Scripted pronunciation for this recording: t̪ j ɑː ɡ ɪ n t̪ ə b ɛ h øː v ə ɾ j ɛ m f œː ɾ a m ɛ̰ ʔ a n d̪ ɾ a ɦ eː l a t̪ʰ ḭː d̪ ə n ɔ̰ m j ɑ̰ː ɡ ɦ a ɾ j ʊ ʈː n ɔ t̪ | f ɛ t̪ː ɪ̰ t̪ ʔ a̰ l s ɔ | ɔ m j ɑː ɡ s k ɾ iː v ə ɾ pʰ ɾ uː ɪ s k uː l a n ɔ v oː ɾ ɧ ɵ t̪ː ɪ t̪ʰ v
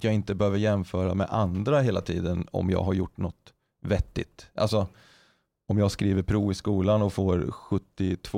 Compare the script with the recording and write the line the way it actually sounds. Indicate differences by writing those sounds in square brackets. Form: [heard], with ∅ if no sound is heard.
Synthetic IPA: t̪ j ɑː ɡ ɪ n t̪ ə b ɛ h øː v ə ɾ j ɛ m f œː ɾ a m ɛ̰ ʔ a n d̪ ɾ a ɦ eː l a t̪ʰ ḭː d̪ ə n ɔ̰ m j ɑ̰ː ɡ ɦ a ɾ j ʊ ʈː n ɔ t̪ | [v] ɛ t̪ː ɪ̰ t̪ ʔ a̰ l s ɔ | ɔ m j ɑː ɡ s k ɾ iː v ə ɾ pʰ ɾ uː ɪ s k uː l a n ɔ [f] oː ɾ ɧ ɵ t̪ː ɪ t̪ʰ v